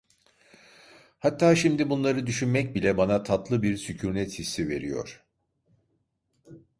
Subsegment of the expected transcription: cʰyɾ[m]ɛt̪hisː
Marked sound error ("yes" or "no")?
yes